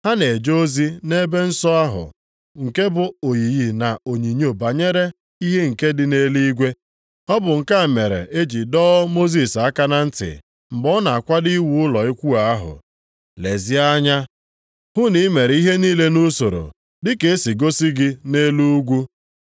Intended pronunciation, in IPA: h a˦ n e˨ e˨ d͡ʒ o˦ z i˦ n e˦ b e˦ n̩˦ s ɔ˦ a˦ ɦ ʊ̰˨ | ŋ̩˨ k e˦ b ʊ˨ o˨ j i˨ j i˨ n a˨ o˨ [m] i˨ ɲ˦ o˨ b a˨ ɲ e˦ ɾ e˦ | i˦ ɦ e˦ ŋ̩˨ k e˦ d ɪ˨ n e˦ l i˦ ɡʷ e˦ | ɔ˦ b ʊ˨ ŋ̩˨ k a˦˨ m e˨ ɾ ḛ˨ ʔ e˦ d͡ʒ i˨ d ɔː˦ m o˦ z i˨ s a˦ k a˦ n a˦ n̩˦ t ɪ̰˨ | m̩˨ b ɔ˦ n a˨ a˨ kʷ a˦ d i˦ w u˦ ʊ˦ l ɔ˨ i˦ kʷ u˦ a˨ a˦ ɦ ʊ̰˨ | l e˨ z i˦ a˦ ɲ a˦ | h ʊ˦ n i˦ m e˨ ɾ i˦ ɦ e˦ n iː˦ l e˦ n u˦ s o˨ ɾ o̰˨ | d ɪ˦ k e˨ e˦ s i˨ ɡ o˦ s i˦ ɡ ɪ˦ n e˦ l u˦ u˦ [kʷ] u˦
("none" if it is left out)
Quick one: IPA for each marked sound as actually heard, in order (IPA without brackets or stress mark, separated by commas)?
ɲ, ɡʷ